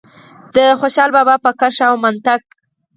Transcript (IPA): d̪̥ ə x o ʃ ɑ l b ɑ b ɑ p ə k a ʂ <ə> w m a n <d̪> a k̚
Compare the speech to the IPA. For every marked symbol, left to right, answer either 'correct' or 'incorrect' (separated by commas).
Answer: incorrect, incorrect